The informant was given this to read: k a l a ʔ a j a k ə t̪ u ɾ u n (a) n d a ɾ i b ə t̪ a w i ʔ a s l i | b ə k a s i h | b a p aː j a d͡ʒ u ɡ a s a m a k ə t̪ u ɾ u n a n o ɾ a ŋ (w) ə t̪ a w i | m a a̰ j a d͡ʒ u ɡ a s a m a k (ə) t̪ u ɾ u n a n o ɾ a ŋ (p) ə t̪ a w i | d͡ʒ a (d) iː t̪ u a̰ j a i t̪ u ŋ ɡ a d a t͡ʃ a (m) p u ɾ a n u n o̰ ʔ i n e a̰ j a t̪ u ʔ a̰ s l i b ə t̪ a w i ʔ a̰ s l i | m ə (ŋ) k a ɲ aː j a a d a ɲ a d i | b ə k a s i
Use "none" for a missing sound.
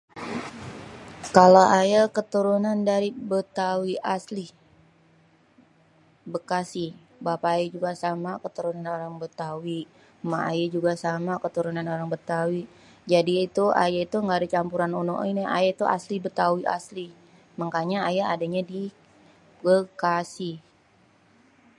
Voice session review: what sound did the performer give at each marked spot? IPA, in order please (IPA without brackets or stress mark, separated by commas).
a, b, ə, b, d, m, ŋ